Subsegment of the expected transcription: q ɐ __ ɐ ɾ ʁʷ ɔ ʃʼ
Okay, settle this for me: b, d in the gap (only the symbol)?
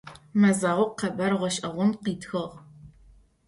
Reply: b